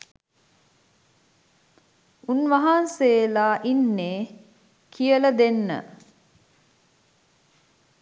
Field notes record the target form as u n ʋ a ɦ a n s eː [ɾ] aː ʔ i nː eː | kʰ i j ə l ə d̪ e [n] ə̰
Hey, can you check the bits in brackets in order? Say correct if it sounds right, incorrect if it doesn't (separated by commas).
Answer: incorrect, incorrect